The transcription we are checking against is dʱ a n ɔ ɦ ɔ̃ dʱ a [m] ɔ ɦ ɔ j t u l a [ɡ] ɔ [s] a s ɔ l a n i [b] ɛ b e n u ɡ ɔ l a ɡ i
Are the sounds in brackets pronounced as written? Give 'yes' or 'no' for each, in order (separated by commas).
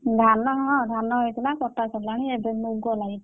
no, no, no, no